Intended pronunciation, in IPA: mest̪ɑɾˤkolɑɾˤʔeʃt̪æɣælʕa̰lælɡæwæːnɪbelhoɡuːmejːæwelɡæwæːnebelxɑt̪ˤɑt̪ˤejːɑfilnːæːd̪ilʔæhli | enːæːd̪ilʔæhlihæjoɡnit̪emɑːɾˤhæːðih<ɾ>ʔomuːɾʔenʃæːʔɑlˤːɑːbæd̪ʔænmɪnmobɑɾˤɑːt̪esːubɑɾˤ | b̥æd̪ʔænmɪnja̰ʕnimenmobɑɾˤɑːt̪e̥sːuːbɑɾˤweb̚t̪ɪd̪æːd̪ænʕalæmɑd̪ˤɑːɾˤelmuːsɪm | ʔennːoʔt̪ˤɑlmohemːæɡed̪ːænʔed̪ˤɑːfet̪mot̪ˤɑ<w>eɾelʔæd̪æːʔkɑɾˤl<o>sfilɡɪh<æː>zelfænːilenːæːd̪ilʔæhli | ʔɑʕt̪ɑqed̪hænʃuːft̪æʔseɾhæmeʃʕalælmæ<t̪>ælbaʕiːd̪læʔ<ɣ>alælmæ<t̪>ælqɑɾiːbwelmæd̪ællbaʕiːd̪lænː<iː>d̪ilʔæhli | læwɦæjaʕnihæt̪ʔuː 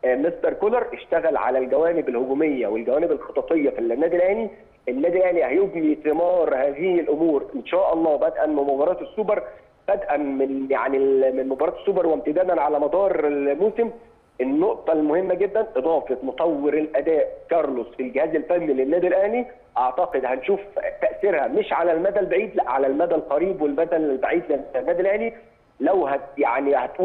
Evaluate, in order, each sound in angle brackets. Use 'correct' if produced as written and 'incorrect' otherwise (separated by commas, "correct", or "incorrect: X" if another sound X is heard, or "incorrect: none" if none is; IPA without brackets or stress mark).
incorrect: l, incorrect: wː, correct, correct, incorrect: d̪, incorrect: ʕ, incorrect: d̪, incorrect: æː